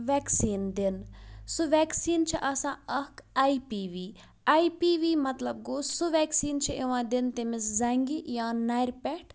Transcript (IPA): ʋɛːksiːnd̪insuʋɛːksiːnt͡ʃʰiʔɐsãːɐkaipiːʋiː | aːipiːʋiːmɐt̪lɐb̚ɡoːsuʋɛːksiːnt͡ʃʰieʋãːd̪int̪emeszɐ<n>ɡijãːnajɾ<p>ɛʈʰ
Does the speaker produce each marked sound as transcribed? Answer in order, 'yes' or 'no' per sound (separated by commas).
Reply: no, yes